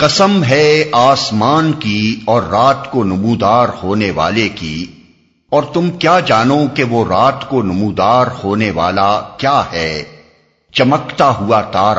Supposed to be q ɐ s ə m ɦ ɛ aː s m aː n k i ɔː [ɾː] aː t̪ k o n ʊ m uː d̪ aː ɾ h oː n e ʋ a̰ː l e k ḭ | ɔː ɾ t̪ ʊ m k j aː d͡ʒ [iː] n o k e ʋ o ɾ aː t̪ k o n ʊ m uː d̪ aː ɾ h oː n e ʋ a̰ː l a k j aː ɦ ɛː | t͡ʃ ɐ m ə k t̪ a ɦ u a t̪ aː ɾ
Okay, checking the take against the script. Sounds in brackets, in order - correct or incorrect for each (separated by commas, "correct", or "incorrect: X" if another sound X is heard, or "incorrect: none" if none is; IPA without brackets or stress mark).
correct, incorrect: aː